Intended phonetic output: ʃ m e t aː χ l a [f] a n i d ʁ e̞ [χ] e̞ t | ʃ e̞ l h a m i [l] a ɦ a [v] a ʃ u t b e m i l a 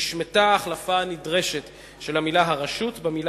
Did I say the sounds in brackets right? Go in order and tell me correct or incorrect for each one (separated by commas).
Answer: correct, incorrect, correct, incorrect